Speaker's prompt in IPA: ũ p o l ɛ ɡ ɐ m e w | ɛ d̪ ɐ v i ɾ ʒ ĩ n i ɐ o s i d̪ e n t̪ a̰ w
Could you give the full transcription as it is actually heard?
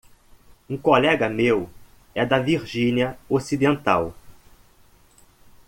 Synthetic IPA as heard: ũ k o l ɛ ɡ ɐ m e w | ɛ d̪ ɐ v i ɾ ʒ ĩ n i ɐ o s i d̪ ẽ n t̪ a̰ w